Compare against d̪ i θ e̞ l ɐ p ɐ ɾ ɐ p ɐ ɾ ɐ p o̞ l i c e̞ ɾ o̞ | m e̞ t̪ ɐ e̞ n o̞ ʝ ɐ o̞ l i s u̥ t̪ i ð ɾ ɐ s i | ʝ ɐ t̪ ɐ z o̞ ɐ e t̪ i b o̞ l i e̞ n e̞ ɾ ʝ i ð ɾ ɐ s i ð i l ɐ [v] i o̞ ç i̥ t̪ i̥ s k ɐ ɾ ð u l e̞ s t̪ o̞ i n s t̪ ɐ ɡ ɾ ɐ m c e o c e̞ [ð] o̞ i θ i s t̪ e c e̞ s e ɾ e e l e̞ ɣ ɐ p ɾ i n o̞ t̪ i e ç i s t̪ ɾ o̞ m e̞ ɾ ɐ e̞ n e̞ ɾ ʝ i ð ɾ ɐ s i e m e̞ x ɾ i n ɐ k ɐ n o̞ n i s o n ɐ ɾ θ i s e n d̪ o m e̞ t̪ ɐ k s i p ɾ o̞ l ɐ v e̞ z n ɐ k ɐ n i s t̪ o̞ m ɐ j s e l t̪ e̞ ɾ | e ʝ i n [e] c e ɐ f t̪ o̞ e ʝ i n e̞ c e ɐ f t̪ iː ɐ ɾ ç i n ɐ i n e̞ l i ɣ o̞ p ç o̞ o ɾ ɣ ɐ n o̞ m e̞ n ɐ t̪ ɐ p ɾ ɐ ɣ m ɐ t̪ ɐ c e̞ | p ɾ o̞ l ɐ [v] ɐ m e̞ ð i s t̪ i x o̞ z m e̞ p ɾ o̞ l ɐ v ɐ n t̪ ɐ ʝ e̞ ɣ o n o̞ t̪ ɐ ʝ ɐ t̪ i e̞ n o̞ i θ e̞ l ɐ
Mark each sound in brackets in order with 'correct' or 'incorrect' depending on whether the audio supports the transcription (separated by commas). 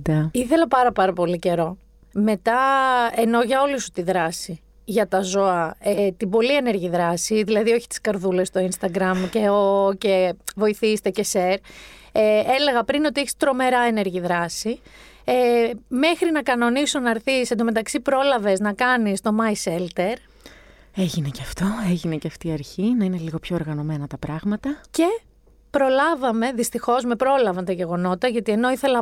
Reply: incorrect, incorrect, correct, correct